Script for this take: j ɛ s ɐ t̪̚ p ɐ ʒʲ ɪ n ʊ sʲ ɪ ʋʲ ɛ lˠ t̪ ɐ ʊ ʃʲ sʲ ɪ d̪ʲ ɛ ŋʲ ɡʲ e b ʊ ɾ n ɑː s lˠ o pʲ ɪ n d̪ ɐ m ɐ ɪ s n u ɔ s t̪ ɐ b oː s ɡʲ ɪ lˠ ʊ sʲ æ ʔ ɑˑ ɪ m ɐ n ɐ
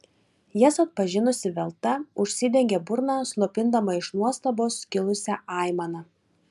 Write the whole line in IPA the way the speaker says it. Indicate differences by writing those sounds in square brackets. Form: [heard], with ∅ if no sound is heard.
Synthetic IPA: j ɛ s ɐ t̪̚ p ɐ ʒʲ ɪ n ʊ sʲ ɪ ʋʲ ɛ lˠ t̪ ɐ ʊ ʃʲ sʲ ɪ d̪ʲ ɛ ŋʲ ɡʲ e b ʊ ɾ n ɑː s lˠ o pʲ ɪ n d̪ ɐ m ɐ ɪ [ʃ] n u ɔ s t̪ ɐ b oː s [kʲ] ɪ lˠ ʊ sʲ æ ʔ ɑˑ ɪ m ɐ n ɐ